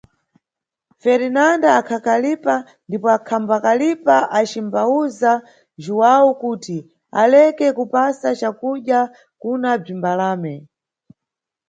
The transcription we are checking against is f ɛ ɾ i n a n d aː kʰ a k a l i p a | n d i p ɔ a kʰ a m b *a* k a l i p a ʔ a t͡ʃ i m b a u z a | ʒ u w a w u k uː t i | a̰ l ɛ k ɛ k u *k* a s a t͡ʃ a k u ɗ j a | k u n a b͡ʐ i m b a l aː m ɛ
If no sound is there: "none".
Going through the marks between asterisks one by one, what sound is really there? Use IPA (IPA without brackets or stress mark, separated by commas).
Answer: a, p